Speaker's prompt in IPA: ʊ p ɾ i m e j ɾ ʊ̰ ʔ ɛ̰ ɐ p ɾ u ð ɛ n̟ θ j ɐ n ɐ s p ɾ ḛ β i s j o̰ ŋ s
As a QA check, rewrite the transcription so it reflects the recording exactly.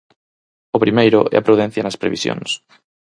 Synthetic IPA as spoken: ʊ p ɾ i m e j ɾ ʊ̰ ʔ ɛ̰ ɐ p ɾ u ð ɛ n̟ θ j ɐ n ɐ s p ɾ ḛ β i s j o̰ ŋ s